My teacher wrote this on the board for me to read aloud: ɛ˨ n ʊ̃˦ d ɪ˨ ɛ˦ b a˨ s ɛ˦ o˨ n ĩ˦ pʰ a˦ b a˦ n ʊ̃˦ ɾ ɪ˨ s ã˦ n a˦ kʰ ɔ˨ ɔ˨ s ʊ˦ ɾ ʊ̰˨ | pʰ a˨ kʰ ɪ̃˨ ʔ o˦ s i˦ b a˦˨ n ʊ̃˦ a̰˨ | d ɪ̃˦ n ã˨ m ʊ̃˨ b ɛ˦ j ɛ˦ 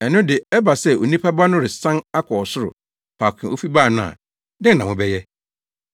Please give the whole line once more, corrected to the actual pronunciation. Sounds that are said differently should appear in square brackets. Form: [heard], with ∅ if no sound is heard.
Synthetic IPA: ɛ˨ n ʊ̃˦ d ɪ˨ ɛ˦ b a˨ s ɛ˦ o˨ n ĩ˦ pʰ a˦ b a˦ n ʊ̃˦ ɾ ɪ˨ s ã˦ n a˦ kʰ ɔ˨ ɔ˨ s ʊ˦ ɾ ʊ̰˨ | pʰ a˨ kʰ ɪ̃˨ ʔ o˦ [f] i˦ b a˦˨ n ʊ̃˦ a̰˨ | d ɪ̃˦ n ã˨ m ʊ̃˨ b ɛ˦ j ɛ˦